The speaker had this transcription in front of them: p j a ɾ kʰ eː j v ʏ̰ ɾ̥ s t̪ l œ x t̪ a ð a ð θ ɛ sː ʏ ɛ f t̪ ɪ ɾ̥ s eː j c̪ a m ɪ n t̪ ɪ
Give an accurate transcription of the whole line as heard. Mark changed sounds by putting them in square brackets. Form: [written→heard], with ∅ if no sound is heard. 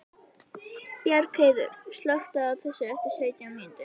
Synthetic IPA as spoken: p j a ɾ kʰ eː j [v→ð] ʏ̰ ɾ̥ s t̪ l œ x t̪ a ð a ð θ ɛ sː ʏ ɛ f t̪ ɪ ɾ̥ s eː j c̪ a m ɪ n t̪ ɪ

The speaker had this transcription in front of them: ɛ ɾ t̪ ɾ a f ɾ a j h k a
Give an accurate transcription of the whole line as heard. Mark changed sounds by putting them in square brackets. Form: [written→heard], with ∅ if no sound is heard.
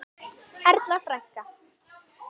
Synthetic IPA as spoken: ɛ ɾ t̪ [ɾ→l] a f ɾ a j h k a

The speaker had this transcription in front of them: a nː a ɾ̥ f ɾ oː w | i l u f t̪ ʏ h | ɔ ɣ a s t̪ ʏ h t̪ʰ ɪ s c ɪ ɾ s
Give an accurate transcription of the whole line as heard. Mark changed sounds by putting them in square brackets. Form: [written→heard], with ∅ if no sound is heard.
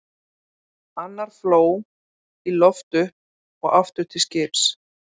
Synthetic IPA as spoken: a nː a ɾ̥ f [ɾ→l] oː w | i l [u→ɔ] f t̪ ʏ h | ɔ ɣ a [s→f] t̪ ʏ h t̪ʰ ɪ s c ɪ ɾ s

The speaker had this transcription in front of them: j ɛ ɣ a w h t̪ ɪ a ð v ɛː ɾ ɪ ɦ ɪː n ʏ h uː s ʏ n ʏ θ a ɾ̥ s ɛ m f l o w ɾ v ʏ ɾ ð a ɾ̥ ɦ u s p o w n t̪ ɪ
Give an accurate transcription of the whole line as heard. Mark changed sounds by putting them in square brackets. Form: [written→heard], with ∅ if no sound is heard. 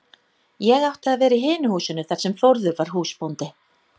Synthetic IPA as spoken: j ɛ ɣ a w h t̪ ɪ a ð v ɛː ɾ ɪ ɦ ɪː n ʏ h uː s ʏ n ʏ θ a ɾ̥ s ɛ m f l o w ɾ [v→ð] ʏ ɾ [ð→v] a ɾ̥ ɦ [u→uː] s p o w n t̪ ɪ

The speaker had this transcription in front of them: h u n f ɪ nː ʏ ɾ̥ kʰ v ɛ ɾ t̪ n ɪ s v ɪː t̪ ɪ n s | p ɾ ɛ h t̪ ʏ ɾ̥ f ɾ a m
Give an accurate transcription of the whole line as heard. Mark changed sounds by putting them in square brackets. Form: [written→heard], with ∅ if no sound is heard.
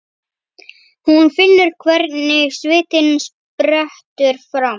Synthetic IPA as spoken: h u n f ɪ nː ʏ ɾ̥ kʰ v ɛ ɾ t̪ n ɪ s v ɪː t̪ ɪ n s | p ɾ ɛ h t̪ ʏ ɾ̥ f ɾ a m

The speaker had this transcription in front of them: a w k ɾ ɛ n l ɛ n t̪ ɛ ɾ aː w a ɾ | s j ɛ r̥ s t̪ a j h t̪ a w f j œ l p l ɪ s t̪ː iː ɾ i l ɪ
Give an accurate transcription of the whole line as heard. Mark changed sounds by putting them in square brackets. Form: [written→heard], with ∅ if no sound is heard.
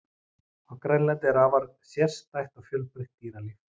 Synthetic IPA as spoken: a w k ɾ ɛ n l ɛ n t̪ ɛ ɾ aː [w→v] a ɾ | s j ɛ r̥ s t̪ a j h t̪ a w f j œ l p [l→ɾ] ɪ [s→h] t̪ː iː ɾ [i→a] l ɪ

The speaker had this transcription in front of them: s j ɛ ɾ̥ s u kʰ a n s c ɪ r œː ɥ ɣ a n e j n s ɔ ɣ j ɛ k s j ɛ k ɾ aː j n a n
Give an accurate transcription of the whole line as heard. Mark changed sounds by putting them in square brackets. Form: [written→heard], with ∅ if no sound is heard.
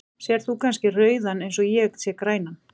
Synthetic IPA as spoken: s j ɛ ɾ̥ [s→θ] u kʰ a n s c ɪ r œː ɥ [ɣ→ð] a n e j n s ɔ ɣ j ɛ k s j ɛ k ɾ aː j n a n

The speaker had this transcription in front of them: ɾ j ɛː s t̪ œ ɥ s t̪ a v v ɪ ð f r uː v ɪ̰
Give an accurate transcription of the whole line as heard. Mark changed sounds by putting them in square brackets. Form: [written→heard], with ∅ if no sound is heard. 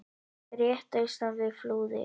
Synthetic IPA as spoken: ɾ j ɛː [s→h] t̪ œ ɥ s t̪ a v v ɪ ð f [r→l] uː [v→ð] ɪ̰

